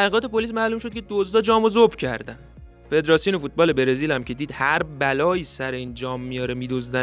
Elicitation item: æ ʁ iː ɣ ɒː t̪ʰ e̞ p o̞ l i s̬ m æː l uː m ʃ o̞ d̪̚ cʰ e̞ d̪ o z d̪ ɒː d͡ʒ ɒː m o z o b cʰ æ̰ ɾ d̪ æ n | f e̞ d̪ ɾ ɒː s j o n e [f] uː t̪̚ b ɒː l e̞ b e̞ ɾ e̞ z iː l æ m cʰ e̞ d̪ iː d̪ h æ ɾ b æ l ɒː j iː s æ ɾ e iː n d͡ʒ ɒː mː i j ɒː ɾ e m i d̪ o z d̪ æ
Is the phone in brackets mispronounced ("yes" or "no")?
no